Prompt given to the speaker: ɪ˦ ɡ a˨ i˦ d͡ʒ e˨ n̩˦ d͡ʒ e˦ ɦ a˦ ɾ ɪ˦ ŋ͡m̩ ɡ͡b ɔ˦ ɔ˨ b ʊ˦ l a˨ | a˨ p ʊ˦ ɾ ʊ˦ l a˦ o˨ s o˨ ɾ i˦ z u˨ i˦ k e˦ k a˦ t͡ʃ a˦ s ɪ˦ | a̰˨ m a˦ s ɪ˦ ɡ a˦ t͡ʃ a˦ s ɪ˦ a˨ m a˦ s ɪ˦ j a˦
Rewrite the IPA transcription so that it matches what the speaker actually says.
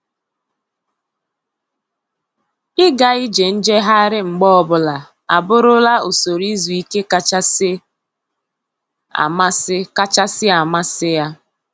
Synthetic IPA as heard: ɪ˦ ɡ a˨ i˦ d͡ʒ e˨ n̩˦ d͡ʒ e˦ ɦ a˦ ɾ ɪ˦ ŋ͡m̩ ɡ͡b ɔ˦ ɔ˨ b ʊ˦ l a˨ | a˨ b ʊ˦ ɾ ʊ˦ l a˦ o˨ s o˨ ɾ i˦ z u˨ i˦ k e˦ k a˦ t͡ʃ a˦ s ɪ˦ | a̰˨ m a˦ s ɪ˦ k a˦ t͡ʃ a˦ s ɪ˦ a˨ m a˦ s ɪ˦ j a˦

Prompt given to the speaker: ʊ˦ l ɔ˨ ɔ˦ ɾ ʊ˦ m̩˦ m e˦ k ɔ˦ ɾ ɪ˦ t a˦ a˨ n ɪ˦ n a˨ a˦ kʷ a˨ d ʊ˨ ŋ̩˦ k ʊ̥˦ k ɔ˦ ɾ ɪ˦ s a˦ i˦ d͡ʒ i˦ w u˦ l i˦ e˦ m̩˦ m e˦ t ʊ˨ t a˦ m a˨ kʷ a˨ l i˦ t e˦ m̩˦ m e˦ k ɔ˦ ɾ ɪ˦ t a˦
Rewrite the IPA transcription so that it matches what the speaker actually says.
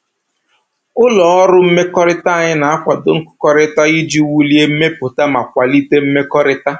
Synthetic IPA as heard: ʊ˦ l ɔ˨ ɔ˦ ɾ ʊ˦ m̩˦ m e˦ k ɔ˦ ɾ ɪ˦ t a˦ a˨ ɲ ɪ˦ n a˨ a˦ kʷ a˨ d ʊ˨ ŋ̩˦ k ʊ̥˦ k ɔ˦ ɾ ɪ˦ t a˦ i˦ d͡ʒ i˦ w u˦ l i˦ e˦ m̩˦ m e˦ p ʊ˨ t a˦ m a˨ kʷ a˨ l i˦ t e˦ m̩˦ m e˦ k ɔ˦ ɾ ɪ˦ t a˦

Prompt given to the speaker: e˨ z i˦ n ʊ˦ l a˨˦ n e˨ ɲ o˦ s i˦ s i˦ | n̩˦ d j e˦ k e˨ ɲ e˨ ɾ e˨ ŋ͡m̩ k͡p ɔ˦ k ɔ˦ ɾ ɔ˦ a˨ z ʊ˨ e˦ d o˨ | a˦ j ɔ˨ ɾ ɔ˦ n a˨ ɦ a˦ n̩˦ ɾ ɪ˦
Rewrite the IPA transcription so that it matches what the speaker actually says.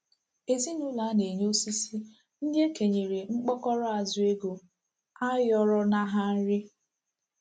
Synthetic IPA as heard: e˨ z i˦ n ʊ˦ l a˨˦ n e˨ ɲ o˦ s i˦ s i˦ | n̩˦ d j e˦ k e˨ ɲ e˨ ɾ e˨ ŋ͡m̩ k͡p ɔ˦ k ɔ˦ ɾ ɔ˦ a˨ z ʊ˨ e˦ ɡ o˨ | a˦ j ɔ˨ ɾ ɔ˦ n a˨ ɦ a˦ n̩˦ ɾ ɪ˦

